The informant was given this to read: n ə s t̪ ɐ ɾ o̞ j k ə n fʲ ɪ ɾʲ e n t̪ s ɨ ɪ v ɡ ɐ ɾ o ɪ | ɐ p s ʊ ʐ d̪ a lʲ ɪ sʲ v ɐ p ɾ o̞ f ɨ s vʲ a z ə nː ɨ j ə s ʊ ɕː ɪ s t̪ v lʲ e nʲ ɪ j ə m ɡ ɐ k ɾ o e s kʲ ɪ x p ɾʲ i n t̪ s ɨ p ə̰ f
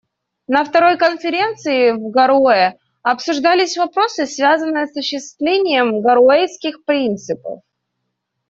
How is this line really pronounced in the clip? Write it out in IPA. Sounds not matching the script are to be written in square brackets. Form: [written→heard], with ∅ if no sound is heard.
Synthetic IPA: n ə [s→f] t̪ ɐ ɾ o̞ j k ə n fʲ ɪ ɾʲ e n t̪ s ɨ ɪ v ɡ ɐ ɾ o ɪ | ɐ p s ʊ ʐ d̪ a lʲ ɪ sʲ v ɐ p ɾ o̞ [f→s] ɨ s vʲ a z ə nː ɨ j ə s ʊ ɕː ɪ s t̪ v lʲ e nʲ ɪ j ə m ɡ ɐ [k→∅] ɾ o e s kʲ ɪ x p ɾʲ i n t̪ s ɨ p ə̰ f